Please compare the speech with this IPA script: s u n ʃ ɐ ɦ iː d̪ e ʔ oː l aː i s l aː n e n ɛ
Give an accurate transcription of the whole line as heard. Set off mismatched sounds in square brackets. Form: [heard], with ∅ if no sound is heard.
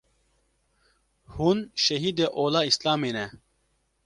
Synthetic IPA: [h] u n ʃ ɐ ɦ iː d̪ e ʔ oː l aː i s l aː [m] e n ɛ